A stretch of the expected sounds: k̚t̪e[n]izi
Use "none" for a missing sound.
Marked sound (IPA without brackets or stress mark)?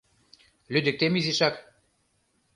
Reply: m